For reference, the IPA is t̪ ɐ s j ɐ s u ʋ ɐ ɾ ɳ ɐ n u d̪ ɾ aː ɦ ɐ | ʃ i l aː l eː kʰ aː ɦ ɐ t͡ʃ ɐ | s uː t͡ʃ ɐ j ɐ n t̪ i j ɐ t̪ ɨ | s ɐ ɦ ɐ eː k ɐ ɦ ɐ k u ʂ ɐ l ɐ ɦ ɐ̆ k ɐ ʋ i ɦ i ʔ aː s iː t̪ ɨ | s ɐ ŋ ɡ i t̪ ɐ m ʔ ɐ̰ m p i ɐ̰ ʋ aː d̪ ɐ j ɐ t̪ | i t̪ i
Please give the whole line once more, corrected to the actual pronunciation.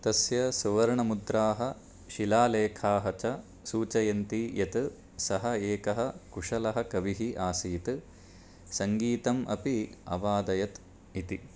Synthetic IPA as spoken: t̪ ɐ s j ɐ s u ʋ ɐ ɾ ɳ ɐ m u d̪ ɾ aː ɦ ɐ | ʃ i l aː l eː kʰ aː ɦ ɐ t͡ʃ ɐ | s uː t͡ʃ ɐ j ɐ n t̪ i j ɐ t̪ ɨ | s ɐ ɦ ɐ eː k ɐ ɦ ɐ k u ʂ ɐ l ɐ ɦ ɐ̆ k ɐ ʋ i ɦ i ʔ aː s iː t̪ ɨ | s ɐ ŋ ɡ iː t̪ ɐ m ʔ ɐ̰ p i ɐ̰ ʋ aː d̪ ɐ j ɐ t̪ | i t̪ i